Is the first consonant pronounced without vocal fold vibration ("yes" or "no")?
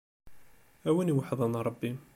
no